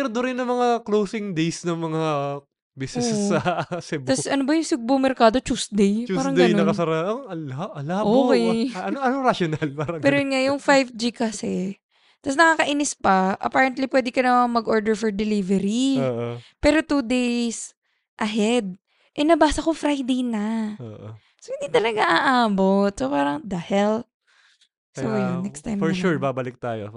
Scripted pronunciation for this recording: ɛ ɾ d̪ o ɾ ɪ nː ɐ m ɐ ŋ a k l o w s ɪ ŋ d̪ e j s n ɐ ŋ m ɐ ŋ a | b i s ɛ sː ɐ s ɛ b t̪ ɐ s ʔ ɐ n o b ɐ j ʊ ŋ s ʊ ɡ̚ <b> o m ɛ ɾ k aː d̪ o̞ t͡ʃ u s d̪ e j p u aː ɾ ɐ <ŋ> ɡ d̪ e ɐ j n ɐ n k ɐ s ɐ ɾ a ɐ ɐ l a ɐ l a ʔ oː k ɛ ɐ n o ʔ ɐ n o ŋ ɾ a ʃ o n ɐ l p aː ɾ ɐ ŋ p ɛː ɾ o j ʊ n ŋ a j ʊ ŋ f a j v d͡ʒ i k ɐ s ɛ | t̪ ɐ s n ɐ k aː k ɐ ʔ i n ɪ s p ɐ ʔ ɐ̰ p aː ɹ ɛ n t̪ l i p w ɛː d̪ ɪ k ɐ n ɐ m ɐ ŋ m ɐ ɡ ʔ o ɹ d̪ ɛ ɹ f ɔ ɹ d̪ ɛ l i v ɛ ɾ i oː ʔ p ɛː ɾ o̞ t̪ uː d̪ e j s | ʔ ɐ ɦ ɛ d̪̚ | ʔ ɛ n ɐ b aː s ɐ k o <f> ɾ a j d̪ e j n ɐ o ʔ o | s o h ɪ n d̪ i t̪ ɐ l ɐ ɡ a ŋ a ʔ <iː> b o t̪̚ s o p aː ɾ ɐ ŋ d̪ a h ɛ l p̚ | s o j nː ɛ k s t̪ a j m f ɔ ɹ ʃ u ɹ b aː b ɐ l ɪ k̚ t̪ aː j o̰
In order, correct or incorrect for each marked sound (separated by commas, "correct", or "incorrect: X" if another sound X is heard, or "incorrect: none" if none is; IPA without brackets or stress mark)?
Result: correct, correct, correct, incorrect: aː